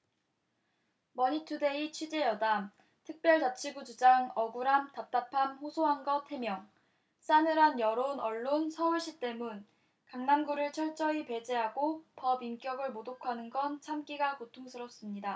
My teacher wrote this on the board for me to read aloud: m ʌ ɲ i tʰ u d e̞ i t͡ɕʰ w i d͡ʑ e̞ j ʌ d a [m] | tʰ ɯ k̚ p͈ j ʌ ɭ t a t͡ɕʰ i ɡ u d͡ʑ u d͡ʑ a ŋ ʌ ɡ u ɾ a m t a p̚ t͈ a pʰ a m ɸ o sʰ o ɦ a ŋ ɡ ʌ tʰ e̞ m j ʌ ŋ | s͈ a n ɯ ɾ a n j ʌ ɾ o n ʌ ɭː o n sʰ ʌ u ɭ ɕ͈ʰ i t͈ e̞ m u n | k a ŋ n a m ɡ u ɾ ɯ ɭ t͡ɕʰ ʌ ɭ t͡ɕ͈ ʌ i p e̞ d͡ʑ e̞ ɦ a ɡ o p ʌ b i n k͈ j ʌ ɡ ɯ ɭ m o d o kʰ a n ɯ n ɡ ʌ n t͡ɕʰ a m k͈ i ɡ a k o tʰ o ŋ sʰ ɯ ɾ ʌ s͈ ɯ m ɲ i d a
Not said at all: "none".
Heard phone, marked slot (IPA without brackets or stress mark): m